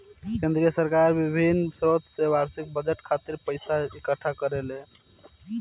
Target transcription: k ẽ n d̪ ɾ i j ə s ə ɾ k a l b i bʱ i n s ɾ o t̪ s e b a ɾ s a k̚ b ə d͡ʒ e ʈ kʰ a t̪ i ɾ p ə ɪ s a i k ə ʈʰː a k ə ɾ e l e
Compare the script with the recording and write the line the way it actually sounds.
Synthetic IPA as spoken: k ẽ n d̪ ɾ i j ə s ə ɾ k a ɾ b i bʱ i n s ɾ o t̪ s e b a ɾ s i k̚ b ə d͡ʒ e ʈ kʰ a t̪ i ɾ p ə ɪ s a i k ə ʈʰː a k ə ɾ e l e